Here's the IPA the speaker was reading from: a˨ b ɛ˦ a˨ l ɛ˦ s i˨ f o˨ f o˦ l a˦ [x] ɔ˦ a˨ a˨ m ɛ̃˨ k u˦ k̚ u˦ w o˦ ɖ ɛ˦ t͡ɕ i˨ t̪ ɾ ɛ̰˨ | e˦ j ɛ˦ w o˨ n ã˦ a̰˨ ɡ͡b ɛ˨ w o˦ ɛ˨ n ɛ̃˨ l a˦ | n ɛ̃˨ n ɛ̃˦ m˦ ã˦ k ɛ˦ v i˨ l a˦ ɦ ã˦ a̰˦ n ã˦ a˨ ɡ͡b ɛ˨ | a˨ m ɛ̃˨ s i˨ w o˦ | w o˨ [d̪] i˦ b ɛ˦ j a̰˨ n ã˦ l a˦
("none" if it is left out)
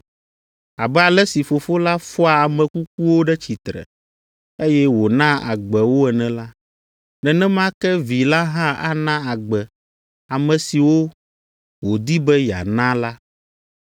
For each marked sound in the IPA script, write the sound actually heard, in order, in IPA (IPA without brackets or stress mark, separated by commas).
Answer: f, d̪